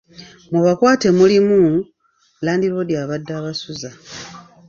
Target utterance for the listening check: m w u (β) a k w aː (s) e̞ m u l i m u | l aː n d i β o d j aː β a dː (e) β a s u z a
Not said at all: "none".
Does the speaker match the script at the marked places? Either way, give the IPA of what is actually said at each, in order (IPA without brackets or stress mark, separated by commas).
β, t, a